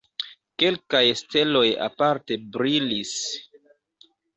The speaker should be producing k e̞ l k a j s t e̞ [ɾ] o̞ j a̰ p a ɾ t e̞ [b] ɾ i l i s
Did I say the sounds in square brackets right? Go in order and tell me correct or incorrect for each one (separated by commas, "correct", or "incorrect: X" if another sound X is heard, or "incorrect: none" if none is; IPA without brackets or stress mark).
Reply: incorrect: l, correct